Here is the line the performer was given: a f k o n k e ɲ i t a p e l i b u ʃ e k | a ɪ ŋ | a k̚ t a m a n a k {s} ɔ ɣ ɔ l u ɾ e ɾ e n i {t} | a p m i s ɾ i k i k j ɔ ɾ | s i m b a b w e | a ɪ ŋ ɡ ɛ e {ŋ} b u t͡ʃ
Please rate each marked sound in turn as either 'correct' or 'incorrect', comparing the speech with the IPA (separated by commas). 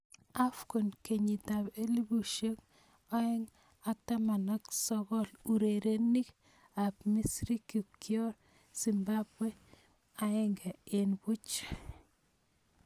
correct, incorrect, incorrect